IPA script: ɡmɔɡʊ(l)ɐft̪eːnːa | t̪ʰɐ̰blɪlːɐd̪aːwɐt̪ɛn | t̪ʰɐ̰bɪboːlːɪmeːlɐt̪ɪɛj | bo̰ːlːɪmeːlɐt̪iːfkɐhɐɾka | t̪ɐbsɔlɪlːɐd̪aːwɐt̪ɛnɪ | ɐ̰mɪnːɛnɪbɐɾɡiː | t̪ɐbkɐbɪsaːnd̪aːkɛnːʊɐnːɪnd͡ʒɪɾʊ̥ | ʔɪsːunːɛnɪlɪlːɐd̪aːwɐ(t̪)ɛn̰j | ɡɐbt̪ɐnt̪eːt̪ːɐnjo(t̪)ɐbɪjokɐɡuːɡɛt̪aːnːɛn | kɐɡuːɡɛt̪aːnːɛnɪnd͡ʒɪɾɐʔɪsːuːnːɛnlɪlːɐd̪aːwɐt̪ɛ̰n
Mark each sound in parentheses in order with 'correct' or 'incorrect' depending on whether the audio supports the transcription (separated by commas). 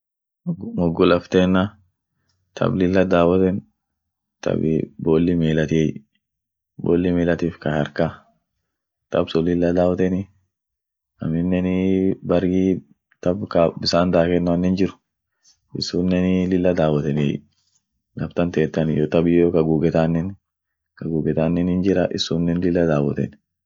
correct, correct, correct